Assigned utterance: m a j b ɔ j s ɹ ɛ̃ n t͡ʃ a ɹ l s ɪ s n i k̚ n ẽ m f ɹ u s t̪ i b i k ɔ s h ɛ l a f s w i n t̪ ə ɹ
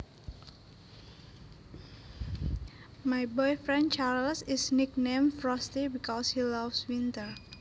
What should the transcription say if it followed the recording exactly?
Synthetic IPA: m a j b ɔ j f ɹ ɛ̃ n t͡ʃ a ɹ l s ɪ s n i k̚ n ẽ m f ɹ ɔ s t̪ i b i k ɔ s h i l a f s w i n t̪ ə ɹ